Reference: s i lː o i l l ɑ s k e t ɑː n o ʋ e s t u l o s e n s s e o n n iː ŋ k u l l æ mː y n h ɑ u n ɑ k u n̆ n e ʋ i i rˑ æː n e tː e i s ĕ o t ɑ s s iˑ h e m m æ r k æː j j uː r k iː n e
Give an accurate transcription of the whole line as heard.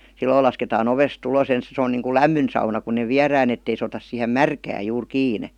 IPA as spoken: s i lː o i l l ɑ s k e t ɑː n o ʋ e s t u l o s e n s s e o n n iː ŋ k u l l æ mː y n s ɑ u n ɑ k u n̆ n e ʋ i æ rˑ æː n e tː e i s ĕ o t ɑ s s iˑ h e m m æ r k æː j j uː r k iː n e